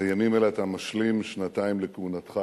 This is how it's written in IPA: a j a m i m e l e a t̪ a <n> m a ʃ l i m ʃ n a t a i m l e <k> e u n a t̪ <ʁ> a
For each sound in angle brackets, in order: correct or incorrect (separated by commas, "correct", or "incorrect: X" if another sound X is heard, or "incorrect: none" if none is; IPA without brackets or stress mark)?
incorrect: none, correct, incorrect: χ